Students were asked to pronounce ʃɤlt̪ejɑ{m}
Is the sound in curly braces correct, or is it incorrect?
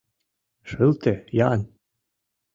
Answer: incorrect